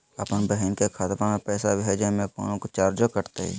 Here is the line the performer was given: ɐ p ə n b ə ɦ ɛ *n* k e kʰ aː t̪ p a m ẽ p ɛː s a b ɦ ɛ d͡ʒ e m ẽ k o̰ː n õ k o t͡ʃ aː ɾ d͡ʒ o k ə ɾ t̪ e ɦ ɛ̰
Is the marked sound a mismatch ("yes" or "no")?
no